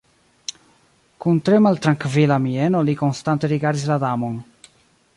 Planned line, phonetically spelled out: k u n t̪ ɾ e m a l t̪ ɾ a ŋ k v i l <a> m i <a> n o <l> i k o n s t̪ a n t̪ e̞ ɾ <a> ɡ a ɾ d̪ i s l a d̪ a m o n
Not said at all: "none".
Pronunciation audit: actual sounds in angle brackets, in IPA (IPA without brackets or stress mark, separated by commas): a, e, l, i